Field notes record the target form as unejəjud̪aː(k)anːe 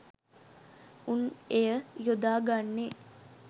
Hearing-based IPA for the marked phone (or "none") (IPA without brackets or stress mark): ɡ